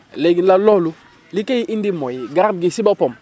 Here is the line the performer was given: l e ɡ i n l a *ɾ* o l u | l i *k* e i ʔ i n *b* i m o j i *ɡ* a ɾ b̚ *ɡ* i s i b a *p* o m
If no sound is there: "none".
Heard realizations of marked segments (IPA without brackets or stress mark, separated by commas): l, k, d, ɡ, ɡ, p